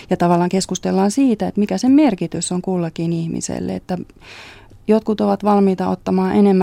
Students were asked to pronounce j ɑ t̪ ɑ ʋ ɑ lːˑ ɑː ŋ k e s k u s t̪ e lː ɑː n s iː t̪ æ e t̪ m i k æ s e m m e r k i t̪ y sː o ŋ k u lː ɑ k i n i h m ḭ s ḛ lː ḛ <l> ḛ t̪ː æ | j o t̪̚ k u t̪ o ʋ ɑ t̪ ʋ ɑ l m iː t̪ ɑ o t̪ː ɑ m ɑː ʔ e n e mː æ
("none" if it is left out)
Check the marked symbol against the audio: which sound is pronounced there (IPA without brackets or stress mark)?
none